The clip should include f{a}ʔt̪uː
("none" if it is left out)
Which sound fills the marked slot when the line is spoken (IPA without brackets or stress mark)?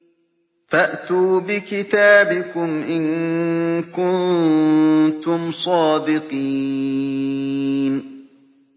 a